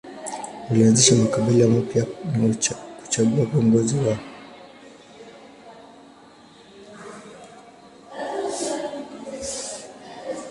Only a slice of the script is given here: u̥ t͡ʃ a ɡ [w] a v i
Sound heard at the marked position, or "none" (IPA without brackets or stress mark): u